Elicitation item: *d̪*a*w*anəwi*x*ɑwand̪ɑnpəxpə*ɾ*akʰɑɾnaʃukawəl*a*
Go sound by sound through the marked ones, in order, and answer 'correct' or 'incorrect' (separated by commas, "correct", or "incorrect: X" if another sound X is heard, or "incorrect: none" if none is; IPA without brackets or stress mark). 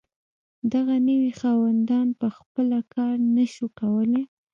correct, incorrect: ɣ, correct, incorrect: l, incorrect: e